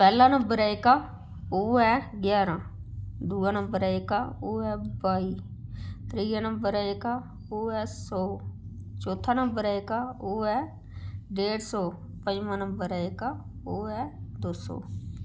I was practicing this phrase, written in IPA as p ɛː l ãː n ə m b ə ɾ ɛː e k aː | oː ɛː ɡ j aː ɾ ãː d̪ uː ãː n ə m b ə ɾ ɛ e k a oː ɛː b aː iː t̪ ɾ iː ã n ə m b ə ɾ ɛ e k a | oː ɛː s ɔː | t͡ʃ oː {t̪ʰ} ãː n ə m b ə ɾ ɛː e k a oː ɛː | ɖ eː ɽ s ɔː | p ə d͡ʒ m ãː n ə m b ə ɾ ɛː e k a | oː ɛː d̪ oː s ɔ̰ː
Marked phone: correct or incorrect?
correct